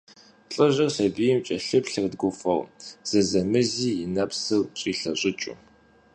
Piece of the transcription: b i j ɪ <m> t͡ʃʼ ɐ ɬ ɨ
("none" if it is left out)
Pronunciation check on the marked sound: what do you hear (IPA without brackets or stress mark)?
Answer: m